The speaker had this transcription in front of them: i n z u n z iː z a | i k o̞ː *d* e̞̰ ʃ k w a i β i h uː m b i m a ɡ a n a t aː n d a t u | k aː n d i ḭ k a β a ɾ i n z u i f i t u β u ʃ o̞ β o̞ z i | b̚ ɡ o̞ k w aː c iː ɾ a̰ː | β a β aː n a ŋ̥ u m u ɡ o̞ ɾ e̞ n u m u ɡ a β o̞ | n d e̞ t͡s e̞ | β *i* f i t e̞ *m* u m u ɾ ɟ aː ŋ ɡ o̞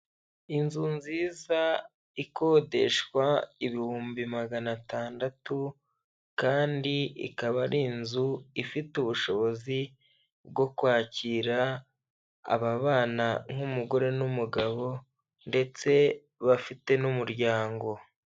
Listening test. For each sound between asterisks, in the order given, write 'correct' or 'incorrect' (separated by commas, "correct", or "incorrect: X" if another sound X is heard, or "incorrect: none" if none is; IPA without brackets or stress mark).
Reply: correct, incorrect: a, incorrect: n